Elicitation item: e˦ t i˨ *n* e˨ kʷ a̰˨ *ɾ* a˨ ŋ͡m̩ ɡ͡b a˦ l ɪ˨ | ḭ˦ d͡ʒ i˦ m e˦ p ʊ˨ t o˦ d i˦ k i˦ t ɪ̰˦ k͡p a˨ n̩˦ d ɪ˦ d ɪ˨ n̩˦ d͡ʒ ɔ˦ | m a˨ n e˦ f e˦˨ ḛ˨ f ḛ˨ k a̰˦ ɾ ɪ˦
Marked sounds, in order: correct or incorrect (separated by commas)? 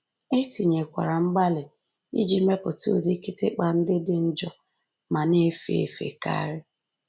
incorrect, correct